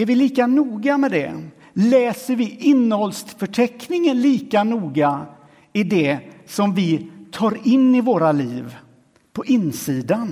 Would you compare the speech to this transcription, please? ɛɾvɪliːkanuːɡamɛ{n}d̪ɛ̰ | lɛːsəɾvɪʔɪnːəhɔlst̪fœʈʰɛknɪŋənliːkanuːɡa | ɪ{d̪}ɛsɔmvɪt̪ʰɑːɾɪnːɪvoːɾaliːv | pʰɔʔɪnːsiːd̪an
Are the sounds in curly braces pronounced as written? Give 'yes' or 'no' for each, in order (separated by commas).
no, yes